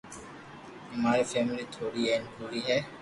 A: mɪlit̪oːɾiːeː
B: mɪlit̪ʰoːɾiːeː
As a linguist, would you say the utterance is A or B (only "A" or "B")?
B